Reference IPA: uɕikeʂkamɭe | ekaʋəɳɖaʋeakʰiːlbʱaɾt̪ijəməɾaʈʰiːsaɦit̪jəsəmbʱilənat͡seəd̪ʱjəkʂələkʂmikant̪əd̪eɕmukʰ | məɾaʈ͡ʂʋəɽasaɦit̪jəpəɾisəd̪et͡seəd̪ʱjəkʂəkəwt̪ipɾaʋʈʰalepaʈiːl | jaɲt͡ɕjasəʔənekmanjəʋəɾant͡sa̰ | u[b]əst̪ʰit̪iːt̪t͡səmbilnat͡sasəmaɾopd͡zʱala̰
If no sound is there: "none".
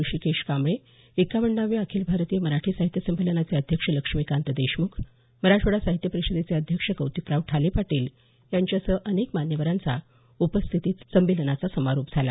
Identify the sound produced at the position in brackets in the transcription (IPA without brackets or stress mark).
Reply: p